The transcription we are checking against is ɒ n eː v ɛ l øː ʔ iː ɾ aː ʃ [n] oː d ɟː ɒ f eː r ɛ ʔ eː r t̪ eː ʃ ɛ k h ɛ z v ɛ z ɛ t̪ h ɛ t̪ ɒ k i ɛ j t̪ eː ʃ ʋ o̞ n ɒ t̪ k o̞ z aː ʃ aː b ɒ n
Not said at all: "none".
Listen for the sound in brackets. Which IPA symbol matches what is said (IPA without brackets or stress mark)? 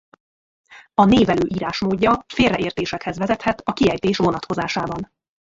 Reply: m